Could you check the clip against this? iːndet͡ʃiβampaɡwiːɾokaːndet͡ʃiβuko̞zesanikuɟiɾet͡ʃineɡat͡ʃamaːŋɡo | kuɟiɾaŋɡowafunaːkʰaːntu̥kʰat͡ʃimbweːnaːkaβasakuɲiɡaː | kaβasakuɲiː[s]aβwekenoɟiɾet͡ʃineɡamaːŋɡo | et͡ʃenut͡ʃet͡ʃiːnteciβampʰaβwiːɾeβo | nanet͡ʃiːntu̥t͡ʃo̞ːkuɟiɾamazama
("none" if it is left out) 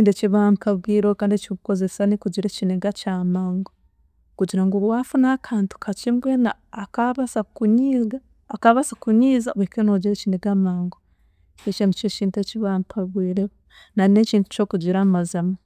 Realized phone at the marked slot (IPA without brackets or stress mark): z